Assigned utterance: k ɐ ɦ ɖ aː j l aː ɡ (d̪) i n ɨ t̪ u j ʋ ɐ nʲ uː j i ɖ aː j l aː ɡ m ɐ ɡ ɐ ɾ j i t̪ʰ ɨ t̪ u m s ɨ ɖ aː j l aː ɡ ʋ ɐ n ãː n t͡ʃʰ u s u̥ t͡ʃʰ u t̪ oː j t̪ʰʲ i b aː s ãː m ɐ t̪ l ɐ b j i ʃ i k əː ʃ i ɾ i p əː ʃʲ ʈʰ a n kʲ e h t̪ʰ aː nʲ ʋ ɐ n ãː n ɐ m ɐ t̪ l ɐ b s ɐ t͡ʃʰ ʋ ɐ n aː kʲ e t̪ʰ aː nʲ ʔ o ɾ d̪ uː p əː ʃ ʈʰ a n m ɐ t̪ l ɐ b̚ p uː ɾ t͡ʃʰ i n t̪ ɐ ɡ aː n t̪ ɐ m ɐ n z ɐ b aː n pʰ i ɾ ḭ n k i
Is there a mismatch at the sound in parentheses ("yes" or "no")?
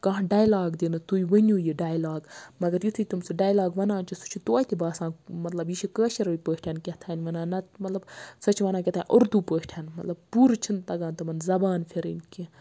no